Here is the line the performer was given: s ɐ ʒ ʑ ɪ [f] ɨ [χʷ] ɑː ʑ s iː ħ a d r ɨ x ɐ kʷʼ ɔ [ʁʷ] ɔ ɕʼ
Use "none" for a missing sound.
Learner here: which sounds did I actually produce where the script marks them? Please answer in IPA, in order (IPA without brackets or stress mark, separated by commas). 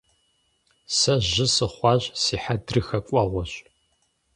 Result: s, χʷ, ʁʷ